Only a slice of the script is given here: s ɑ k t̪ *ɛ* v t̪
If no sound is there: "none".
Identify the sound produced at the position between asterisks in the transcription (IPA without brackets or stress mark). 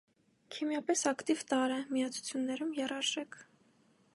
i